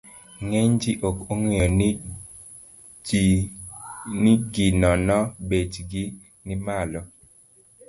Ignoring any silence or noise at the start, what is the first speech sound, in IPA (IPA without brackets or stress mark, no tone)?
ŋ